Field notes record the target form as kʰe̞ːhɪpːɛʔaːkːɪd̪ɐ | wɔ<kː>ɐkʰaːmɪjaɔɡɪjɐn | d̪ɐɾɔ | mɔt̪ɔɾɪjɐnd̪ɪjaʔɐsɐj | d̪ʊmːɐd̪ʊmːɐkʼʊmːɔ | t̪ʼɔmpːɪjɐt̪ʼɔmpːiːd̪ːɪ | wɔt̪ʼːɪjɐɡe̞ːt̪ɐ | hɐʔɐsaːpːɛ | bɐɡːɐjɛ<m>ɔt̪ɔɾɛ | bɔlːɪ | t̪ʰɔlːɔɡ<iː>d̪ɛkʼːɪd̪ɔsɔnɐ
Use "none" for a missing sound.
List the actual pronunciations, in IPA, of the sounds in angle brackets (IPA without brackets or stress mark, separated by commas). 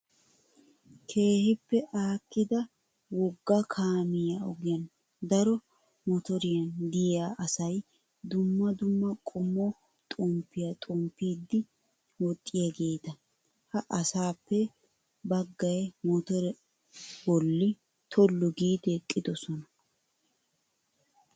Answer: ɡː, m, iː